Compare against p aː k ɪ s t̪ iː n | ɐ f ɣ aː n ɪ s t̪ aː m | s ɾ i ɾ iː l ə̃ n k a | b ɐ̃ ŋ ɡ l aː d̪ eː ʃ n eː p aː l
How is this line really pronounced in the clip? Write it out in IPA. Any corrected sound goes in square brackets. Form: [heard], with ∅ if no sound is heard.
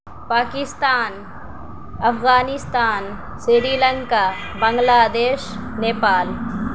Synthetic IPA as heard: p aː k ɪ s t̪ [aː] n | ɐ f ɣ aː n ɪ s t̪ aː [n] | s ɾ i ɾ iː l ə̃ [ŋ] k a | b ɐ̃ ŋ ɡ l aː d̪ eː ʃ n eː p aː l